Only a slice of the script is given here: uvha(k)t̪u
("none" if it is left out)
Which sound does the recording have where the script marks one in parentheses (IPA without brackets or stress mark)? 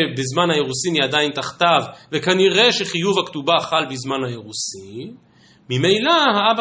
k